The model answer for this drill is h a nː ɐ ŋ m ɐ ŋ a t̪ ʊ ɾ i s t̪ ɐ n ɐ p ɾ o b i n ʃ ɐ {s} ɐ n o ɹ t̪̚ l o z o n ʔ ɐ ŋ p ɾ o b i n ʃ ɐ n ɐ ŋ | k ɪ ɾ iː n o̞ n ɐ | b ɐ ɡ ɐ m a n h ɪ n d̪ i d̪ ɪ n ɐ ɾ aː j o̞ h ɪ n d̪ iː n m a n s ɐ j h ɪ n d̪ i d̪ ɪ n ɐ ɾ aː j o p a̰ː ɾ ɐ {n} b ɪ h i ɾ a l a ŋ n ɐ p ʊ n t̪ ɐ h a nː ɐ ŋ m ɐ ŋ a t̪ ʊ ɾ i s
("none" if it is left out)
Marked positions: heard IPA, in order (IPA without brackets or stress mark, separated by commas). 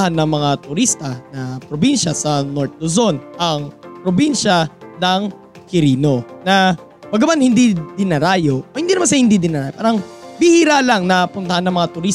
s, ŋ